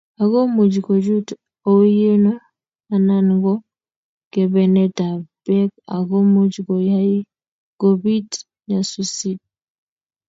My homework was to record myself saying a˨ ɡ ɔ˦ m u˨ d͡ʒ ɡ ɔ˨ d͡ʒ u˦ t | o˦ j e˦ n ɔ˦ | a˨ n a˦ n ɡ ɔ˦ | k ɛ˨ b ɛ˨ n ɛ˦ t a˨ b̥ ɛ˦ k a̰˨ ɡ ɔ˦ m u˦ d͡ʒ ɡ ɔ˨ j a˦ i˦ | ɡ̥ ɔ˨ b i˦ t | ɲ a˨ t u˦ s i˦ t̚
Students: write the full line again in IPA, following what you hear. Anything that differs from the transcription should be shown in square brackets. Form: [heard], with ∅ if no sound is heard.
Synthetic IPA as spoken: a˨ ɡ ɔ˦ m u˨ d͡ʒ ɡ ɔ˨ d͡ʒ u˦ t | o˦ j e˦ n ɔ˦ | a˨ n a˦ n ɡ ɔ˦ | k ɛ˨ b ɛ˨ n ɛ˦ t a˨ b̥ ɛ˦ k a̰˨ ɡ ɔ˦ m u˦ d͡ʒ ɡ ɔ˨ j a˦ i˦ | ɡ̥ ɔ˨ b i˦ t | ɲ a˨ [s] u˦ s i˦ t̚